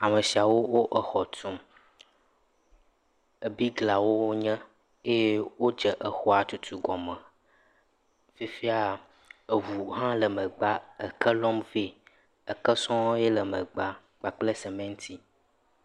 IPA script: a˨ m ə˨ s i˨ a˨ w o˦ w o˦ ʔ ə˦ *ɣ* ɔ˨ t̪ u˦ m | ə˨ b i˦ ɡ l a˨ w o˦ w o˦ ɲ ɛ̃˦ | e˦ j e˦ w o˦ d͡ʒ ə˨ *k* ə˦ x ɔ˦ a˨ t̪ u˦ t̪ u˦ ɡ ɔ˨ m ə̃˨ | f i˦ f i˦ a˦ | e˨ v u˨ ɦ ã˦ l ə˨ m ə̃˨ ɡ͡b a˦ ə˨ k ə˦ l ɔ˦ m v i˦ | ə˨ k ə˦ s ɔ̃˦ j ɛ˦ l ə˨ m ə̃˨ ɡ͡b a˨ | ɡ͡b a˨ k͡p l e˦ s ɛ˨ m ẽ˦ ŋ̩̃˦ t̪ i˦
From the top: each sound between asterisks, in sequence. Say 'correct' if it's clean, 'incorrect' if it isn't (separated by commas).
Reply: incorrect, incorrect